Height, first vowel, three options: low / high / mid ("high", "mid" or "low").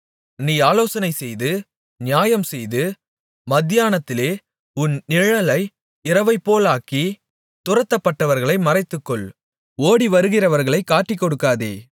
high